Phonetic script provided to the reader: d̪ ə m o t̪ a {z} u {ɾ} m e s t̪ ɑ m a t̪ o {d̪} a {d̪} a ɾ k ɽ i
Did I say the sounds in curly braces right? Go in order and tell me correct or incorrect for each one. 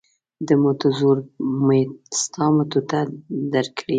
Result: correct, correct, incorrect, correct

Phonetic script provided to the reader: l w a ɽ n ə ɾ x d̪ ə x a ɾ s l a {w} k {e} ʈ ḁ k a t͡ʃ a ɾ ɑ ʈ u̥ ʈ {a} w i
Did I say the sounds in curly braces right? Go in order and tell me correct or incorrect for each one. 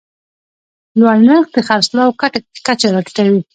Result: correct, incorrect, correct

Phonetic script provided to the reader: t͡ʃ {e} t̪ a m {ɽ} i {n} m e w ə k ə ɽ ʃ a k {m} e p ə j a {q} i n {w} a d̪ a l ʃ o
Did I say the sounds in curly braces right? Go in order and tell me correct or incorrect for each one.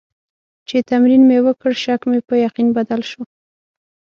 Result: correct, incorrect, correct, correct, correct, incorrect

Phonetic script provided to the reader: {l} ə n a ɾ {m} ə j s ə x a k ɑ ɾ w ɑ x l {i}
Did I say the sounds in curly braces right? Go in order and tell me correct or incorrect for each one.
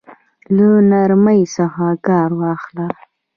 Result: correct, correct, incorrect

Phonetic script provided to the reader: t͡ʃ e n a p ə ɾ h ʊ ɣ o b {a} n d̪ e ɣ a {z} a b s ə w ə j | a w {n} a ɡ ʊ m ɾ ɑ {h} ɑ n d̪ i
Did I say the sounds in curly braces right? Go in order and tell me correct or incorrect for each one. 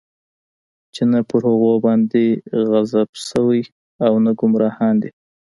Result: incorrect, correct, correct, correct

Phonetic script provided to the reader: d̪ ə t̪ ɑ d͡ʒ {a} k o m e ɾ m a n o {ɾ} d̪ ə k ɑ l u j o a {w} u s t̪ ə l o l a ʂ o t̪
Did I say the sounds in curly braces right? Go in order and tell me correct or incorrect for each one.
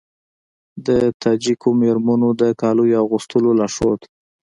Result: incorrect, incorrect, incorrect

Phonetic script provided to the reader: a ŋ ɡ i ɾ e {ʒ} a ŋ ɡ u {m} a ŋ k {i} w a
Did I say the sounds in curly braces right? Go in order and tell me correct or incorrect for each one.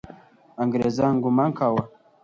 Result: incorrect, correct, incorrect

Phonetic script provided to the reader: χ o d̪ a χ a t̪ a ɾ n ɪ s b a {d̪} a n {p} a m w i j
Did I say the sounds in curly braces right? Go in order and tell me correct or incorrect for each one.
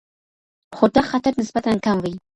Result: incorrect, incorrect

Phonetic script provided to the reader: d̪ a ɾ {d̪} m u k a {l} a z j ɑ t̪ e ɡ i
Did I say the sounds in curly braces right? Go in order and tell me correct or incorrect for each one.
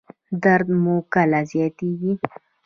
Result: correct, correct

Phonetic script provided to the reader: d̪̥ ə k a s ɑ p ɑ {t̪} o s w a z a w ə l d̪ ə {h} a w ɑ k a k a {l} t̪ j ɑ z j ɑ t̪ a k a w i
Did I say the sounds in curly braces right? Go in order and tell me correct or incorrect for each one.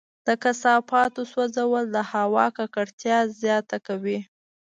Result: correct, correct, incorrect

